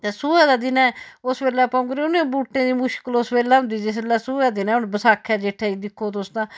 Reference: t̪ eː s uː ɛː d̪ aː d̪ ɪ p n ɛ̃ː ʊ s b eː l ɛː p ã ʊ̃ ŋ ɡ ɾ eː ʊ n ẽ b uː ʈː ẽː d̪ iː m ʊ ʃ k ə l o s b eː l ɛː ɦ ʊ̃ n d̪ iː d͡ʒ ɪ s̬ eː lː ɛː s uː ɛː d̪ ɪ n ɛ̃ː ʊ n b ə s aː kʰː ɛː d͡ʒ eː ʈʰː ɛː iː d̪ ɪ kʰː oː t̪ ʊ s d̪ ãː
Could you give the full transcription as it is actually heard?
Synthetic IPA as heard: t̪ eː s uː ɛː d̪ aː d̪ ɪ n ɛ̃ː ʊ s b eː l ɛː p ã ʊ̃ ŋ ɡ ɾ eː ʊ n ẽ b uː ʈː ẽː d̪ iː m ʊ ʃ k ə l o s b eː l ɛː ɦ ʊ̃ n d̪ iː d͡ʒ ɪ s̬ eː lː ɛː s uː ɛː d̪ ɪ n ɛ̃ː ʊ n b ə s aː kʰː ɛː d͡ʒ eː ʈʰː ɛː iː d̪ ɪ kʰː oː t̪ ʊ s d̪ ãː